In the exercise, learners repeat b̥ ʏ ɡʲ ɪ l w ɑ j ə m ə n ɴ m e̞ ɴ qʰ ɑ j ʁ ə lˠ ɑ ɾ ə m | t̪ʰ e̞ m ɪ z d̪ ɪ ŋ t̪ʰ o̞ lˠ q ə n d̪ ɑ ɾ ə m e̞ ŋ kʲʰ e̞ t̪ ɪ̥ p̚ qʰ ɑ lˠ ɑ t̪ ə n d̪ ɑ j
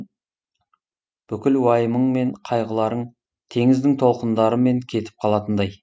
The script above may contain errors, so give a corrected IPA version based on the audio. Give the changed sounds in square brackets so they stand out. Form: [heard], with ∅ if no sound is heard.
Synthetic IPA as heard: b̥ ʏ [kʲ] ɪ l w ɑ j ə m ə [∅] ɴ m e̞ ɴ qʰ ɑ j ʁ ə lˠ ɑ ɾ ə [ɴ] | t̪ʰ e̞ [ŋ] ɪ z d̪ ɪ ŋ t̪ʰ o̞ lˠ q ə n d̪ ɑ ɾ ə m e̞ ŋ kʲʰ e̞ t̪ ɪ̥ p̚ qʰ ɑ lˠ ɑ t̪ ə n d̪ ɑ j